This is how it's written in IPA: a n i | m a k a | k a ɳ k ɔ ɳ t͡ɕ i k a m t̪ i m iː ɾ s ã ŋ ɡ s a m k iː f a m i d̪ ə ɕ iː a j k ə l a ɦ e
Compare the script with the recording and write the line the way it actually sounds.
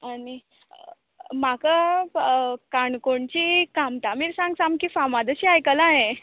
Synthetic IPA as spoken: a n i | m a k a | k a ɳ k o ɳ t͡ɕ i k a m t̪ a m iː ɾ s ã ŋ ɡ s a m k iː f a m a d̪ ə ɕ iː a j k ə l a ɦ e